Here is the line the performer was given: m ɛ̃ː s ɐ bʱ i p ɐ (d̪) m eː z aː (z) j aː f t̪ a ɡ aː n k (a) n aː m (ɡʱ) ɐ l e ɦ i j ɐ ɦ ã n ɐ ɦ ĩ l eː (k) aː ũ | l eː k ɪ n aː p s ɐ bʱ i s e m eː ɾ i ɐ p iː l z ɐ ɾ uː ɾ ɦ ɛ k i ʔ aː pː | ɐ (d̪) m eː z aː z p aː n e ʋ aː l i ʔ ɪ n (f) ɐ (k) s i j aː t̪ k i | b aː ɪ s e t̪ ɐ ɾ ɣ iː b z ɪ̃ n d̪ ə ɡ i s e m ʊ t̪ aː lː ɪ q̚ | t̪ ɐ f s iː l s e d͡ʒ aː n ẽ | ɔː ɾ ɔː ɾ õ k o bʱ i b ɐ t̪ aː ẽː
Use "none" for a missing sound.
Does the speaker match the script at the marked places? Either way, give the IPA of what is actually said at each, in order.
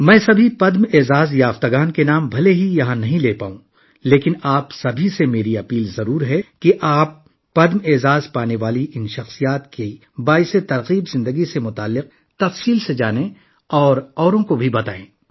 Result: d̪, z, e, bʱ, p, d̪, ʃ, x

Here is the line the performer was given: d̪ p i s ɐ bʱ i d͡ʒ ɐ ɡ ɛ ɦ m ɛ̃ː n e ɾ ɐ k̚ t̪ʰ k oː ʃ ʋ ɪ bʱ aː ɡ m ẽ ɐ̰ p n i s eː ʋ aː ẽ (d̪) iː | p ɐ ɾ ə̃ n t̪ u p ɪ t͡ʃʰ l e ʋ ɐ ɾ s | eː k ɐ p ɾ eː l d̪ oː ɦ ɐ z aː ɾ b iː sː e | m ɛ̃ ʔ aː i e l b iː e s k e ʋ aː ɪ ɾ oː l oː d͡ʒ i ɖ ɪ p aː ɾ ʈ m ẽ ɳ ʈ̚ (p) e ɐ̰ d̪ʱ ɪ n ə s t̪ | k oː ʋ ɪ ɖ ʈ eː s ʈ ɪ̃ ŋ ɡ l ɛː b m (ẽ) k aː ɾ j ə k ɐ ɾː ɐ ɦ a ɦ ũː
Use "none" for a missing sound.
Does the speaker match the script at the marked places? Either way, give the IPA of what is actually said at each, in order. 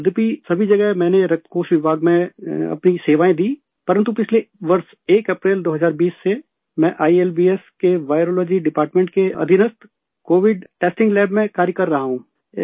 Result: d̪, k, ẽ

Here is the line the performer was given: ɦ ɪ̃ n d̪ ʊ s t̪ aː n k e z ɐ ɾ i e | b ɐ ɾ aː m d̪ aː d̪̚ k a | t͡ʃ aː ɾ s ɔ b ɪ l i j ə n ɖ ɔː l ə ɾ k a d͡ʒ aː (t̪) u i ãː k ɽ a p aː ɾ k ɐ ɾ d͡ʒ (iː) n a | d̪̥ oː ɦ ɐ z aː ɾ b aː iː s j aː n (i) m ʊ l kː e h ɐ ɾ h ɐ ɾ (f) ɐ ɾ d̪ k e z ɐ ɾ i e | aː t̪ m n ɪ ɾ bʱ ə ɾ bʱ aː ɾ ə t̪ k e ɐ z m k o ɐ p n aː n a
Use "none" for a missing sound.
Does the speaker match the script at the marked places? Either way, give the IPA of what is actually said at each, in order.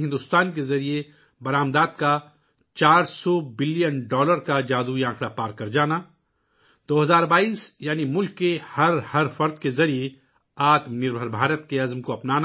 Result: d̪, aː, i, f

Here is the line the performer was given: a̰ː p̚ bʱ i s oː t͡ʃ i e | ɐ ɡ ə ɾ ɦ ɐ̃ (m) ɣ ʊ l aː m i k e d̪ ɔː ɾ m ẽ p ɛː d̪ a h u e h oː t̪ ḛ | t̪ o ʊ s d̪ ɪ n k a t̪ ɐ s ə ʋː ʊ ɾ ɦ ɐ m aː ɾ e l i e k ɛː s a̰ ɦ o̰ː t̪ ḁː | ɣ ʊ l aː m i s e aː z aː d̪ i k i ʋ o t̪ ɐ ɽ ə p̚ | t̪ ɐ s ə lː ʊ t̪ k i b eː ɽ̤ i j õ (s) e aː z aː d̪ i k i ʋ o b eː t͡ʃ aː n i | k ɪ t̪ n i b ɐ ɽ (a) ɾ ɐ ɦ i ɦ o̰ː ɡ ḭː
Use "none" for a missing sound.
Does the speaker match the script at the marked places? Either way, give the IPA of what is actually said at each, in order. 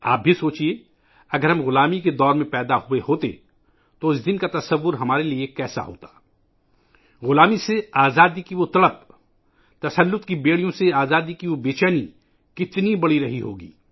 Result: m, s, i

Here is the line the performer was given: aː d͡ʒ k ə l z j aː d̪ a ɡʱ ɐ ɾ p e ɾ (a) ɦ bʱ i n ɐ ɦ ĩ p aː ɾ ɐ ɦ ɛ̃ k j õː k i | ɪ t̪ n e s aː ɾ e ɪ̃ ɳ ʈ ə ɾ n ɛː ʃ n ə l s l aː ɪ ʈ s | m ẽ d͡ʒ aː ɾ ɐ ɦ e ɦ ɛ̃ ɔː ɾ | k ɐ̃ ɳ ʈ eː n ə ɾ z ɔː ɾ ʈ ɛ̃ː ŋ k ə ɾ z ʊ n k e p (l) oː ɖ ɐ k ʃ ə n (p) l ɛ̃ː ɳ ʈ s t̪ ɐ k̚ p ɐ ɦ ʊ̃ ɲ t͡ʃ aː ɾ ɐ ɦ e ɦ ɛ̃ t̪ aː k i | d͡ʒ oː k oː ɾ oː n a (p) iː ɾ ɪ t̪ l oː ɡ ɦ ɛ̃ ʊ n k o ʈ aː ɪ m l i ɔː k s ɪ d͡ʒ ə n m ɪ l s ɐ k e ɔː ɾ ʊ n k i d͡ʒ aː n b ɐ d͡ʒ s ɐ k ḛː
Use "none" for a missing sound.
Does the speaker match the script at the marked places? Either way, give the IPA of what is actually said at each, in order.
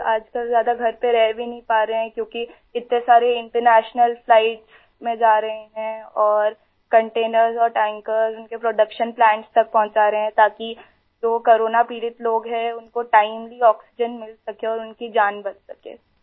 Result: ɛ, ɾ, p, p

